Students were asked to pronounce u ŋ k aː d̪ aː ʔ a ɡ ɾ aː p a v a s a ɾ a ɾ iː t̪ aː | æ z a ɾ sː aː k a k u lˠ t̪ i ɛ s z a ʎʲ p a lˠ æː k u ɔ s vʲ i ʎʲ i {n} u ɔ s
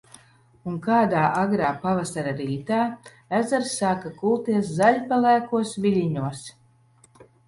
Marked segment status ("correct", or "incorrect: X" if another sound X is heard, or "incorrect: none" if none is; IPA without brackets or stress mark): incorrect: ɲ